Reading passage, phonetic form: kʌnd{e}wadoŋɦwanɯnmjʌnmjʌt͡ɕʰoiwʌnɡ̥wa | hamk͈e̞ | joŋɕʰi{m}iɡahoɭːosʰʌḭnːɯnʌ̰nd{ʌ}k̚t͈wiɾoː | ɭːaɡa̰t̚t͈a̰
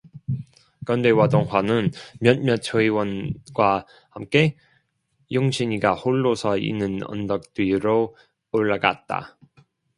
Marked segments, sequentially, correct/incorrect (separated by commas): correct, incorrect, correct